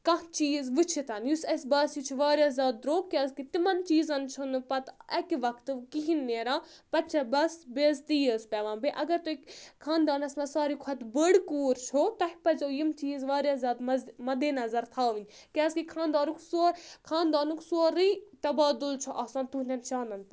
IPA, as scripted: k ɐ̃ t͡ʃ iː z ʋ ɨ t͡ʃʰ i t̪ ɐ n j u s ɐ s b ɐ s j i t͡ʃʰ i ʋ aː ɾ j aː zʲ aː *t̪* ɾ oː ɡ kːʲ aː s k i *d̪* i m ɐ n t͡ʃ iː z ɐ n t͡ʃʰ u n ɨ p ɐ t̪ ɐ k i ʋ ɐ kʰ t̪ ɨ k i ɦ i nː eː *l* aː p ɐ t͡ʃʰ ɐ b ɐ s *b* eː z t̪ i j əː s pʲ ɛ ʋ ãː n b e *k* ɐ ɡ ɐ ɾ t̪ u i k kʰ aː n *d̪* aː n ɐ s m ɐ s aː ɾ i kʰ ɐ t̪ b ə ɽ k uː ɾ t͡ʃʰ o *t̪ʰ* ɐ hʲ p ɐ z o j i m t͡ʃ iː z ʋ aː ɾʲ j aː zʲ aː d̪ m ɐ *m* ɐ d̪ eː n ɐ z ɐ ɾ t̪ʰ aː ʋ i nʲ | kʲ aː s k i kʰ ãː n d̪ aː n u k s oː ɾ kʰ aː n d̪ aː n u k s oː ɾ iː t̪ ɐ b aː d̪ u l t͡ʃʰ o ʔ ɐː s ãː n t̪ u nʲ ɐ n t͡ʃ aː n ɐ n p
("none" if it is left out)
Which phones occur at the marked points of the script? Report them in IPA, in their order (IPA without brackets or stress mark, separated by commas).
d̪, t̪, ɾ, b, ʔ, d̪, t̪, m